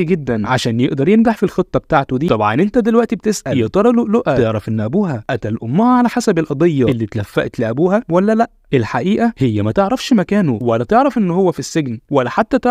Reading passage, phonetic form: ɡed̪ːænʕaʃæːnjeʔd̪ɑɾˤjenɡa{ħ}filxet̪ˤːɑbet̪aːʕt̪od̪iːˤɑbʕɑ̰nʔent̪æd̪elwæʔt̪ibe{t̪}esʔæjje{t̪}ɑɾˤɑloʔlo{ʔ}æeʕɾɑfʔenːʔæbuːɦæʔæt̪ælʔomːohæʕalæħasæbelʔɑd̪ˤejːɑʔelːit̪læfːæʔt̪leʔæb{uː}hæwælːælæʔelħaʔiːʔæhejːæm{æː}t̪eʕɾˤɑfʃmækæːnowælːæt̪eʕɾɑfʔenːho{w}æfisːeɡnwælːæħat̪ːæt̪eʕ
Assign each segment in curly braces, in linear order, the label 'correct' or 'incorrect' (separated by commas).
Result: correct, correct, correct, correct, correct, incorrect, incorrect